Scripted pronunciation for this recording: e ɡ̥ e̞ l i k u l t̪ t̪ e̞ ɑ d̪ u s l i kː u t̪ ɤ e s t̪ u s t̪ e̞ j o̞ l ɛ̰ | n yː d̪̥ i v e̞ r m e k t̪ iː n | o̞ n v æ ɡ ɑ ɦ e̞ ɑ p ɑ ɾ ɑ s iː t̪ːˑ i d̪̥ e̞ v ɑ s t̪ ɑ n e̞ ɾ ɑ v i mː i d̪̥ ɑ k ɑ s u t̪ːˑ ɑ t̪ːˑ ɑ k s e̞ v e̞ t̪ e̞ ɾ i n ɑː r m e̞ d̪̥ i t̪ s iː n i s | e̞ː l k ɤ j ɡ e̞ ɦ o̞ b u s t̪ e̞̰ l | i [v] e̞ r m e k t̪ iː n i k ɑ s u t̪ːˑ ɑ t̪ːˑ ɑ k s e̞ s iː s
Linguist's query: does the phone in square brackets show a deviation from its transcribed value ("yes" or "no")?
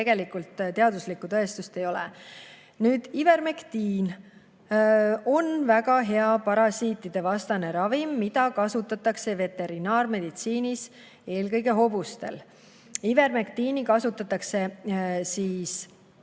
no